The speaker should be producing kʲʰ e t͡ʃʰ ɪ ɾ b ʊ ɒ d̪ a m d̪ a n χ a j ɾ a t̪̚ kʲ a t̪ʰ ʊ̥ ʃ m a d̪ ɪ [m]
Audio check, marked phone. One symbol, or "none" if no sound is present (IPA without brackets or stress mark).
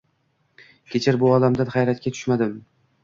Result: m